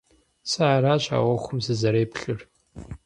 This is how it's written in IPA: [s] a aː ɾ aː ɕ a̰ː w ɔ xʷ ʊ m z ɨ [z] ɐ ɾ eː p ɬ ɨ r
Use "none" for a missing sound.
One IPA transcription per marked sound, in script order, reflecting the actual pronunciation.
s, z

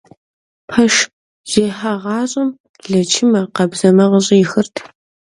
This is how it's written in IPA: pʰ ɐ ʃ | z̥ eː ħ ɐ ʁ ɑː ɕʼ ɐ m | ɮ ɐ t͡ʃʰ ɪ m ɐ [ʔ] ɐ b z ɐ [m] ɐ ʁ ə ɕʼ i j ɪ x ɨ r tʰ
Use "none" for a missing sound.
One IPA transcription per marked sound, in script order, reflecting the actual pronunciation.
q, m

